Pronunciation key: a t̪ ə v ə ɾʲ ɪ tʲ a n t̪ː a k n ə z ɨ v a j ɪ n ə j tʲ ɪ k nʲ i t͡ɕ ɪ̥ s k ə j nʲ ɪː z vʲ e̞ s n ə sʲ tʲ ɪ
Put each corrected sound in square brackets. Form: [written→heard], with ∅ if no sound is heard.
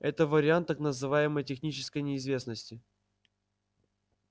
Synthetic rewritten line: [a→ɛ] t̪ ə v ə ɾʲ ɪ [tʲ→∅] a n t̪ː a k n ə z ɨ v a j ɪ [n→m] ə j tʲ ɪ [k→x] nʲ i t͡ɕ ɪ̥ s k ə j nʲ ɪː z vʲ e̞ s n ə sʲ tʲ ɪ